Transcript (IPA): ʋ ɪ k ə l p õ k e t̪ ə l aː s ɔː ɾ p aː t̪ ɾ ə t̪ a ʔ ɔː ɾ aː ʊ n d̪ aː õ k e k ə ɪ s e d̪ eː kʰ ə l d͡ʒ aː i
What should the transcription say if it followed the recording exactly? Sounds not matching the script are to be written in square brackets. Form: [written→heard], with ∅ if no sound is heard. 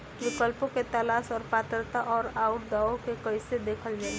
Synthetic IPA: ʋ ɪ k ə l p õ k e t̪ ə l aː s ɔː ɾ p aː t̪ ɾ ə t̪ a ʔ ɔː ɾ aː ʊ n d̪ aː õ k e k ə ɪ s e d̪ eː kʰ ə l d͡ʒ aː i